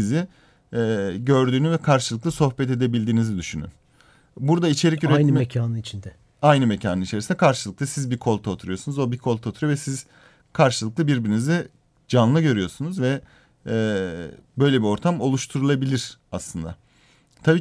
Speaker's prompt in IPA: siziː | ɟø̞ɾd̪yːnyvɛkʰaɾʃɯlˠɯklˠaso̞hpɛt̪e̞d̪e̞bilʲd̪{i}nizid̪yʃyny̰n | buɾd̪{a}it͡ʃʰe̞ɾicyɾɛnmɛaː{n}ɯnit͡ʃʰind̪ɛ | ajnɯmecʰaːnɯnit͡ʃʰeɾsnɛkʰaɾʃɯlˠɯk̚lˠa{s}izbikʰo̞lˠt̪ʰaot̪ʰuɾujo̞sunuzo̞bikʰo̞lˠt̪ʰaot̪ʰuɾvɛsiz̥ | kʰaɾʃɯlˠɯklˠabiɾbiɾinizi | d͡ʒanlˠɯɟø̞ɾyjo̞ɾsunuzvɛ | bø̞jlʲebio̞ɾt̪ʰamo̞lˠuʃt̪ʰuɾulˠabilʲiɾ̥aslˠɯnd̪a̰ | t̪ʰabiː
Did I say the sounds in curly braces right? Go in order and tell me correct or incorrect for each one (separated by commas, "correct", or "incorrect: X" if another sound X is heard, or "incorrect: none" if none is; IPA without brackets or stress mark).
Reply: incorrect: iː, correct, correct, correct